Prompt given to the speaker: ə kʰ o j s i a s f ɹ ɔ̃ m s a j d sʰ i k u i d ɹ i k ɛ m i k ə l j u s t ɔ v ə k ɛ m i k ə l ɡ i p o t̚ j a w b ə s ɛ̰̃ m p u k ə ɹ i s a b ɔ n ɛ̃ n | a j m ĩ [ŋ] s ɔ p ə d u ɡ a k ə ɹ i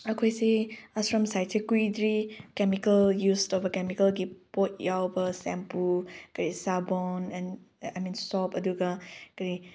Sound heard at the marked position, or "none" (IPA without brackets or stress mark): n